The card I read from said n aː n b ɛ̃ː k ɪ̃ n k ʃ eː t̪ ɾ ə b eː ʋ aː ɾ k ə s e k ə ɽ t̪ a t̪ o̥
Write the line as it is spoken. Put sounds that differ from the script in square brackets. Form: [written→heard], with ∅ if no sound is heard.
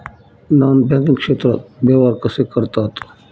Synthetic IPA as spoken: n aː n b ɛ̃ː k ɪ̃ [n→ŋ] k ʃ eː t̪ ɾ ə b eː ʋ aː ɾ k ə s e k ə [ɽ→ɾ] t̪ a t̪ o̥